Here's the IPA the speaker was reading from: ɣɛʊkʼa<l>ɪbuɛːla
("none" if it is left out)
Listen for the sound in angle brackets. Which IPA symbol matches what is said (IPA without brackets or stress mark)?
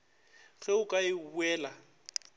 none